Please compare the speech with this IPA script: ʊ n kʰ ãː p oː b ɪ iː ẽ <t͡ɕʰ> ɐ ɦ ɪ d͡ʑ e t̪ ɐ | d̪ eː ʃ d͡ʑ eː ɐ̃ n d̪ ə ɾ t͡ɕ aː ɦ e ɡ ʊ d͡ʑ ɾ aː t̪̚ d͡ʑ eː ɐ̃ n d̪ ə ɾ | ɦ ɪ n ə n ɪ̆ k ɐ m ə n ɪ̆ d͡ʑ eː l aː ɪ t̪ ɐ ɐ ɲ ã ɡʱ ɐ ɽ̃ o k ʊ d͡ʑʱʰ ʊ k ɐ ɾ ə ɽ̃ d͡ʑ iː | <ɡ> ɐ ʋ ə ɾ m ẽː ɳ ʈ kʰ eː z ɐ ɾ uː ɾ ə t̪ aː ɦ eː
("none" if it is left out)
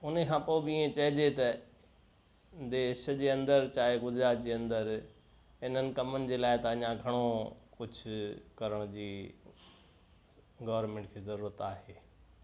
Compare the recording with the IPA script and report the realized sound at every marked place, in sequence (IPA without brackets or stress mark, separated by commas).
t͡ɕ, ɡ